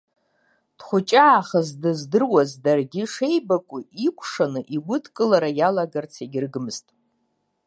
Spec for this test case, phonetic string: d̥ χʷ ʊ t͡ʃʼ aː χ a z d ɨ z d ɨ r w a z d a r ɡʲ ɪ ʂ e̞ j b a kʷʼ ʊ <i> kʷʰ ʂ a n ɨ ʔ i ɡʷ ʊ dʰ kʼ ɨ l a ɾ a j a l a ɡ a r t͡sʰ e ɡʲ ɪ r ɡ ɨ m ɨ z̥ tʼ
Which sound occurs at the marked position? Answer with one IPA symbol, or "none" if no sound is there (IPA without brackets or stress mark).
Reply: i